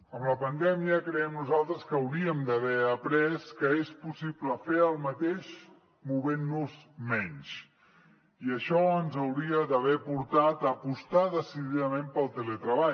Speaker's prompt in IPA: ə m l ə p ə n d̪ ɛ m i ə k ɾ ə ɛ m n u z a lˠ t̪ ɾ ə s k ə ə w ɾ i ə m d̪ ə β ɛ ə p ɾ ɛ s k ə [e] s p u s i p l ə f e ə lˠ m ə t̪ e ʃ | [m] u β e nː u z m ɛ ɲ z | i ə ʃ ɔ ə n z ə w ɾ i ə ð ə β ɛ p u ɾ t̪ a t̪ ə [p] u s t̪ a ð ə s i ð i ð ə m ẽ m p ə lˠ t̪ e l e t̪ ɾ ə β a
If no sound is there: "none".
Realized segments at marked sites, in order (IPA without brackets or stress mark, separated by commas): e, m, p